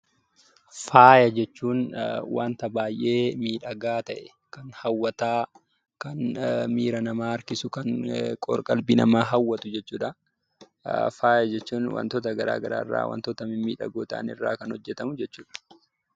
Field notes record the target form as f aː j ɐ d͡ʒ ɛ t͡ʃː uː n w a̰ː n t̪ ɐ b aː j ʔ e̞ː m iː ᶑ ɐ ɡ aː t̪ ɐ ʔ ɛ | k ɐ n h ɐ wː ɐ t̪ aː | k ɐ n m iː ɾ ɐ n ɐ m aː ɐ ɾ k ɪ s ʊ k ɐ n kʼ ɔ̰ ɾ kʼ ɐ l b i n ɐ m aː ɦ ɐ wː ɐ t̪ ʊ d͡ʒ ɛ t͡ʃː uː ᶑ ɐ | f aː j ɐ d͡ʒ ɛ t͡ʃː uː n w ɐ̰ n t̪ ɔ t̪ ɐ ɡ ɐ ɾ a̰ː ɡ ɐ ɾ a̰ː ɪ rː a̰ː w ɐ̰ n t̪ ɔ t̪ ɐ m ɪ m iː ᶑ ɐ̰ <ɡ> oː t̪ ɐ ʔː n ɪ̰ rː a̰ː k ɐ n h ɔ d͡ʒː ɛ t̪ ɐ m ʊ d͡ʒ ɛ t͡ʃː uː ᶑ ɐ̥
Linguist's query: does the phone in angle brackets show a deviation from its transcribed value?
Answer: no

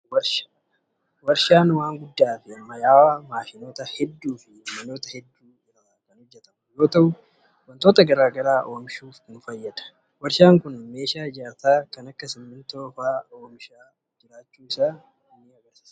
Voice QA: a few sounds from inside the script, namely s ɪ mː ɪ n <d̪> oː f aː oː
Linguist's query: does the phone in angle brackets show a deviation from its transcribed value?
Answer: yes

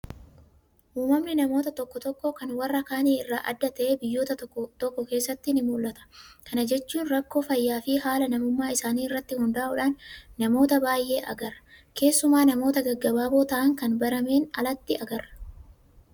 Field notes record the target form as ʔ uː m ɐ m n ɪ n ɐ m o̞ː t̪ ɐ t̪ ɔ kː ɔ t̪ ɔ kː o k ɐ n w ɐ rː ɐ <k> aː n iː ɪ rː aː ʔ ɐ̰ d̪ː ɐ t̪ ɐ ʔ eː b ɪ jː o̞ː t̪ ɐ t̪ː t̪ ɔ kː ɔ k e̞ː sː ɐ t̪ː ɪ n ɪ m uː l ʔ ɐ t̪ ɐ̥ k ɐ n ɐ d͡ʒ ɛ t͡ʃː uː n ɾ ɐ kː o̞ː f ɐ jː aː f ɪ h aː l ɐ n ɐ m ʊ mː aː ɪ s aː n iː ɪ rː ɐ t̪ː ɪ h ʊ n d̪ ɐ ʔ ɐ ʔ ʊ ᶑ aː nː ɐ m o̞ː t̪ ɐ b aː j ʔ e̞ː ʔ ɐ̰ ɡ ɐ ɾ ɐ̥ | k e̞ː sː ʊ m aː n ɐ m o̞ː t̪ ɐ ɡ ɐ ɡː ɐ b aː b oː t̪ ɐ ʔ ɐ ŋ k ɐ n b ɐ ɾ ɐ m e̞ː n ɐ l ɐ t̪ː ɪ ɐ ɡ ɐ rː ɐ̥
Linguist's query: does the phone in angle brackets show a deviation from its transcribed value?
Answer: no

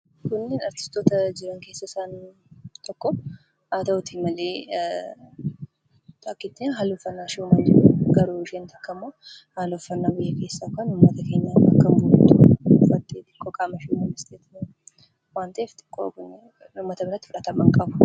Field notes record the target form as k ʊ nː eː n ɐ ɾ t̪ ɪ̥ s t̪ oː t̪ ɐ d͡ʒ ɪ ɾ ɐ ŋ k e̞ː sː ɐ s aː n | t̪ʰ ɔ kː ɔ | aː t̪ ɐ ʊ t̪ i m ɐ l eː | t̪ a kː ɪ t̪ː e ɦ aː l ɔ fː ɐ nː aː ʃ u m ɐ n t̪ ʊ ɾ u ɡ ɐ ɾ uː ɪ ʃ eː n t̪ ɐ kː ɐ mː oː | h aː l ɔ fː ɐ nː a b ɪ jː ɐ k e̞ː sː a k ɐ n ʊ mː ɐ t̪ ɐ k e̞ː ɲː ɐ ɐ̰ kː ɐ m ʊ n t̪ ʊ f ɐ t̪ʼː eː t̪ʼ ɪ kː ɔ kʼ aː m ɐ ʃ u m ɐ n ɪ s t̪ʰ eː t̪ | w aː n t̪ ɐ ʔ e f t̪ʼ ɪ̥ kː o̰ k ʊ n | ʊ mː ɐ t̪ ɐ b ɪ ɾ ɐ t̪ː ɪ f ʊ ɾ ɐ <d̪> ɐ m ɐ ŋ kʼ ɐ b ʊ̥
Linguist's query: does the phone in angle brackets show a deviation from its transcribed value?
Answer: yes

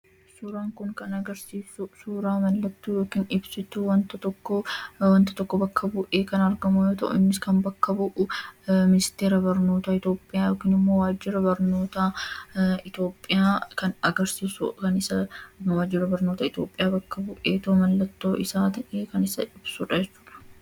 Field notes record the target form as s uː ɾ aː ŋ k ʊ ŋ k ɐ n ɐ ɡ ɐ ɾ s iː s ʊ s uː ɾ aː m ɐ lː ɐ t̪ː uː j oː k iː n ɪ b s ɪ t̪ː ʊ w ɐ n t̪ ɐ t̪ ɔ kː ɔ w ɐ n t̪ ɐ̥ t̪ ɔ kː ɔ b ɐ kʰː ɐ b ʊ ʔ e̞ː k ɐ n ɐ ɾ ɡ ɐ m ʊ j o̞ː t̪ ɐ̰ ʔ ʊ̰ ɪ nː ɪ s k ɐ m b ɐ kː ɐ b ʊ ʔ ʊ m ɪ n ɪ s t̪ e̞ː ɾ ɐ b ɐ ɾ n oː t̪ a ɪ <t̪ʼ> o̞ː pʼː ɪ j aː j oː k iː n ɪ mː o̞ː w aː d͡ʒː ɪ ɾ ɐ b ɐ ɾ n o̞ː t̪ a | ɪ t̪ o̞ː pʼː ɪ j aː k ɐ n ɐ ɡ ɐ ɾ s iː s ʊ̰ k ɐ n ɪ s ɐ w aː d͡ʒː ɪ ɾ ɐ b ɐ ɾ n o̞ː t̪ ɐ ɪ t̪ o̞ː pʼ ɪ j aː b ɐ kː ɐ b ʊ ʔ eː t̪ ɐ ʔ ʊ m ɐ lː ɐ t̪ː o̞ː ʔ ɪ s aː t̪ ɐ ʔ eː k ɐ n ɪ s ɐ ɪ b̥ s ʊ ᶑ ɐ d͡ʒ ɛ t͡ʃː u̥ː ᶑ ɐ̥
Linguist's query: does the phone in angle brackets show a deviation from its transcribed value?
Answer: yes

